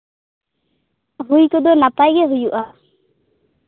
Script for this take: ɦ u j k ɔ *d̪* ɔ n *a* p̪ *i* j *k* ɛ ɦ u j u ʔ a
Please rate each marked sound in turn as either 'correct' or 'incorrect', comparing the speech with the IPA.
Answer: correct, correct, incorrect, incorrect

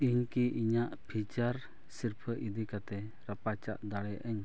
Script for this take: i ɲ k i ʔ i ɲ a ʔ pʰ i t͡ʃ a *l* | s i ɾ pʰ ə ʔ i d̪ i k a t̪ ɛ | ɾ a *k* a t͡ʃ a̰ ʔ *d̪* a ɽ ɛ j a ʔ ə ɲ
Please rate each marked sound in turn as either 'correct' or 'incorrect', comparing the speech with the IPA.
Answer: incorrect, incorrect, correct

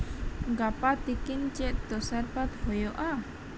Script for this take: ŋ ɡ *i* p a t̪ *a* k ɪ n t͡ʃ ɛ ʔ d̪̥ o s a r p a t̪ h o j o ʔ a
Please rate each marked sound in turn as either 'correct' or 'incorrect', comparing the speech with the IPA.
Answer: incorrect, incorrect

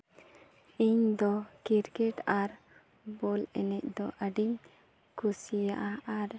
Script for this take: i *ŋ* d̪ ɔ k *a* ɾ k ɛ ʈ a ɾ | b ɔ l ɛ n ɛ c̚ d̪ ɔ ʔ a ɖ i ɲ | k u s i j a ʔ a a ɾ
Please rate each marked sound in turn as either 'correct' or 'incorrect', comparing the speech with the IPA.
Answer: incorrect, incorrect

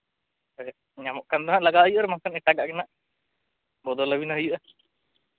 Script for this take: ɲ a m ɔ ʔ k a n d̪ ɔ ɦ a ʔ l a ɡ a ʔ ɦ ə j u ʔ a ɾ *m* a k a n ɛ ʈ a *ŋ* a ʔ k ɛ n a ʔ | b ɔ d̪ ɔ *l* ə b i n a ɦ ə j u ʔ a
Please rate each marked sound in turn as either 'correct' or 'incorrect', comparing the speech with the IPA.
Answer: correct, incorrect, correct

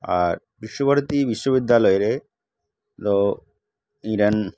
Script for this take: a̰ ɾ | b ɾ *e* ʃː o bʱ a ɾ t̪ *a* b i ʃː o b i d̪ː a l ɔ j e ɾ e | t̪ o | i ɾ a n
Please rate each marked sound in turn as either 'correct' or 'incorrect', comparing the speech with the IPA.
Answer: incorrect, incorrect

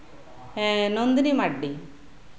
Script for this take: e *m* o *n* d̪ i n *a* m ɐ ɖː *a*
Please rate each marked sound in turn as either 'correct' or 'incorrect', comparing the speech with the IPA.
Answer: incorrect, correct, incorrect, incorrect

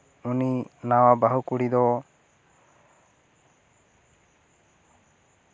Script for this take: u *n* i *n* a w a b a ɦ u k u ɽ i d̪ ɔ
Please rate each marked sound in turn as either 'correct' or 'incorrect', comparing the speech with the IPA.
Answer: correct, correct

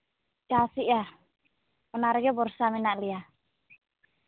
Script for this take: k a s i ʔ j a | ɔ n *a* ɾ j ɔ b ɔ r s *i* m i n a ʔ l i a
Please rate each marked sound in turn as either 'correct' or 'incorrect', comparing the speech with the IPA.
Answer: correct, incorrect

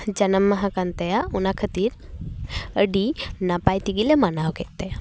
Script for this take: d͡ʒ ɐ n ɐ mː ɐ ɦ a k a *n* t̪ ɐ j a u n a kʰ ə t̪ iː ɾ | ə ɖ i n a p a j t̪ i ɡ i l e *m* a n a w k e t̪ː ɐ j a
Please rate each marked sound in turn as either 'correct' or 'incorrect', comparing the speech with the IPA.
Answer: correct, correct

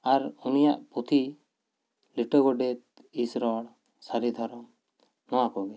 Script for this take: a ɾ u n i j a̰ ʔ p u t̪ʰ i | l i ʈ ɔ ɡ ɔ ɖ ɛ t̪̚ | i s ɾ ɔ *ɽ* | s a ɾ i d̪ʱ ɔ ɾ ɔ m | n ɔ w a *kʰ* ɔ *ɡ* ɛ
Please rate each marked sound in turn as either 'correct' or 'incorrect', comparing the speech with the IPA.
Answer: correct, incorrect, correct

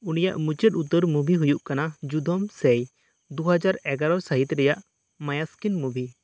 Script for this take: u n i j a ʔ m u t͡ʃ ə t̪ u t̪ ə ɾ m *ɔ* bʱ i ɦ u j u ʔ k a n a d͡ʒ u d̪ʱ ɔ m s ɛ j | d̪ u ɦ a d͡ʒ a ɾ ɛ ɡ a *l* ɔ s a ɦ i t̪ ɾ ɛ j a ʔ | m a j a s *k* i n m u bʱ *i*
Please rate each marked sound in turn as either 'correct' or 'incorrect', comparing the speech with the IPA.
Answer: incorrect, incorrect, correct, correct

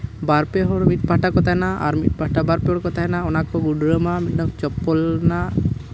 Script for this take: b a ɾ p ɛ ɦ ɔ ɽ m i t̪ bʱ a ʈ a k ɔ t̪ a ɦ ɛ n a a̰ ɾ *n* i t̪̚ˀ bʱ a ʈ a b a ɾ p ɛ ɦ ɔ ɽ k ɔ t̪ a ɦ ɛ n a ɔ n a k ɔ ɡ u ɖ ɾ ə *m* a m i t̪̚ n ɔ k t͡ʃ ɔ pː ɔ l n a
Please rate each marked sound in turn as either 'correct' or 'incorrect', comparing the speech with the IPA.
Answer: incorrect, correct

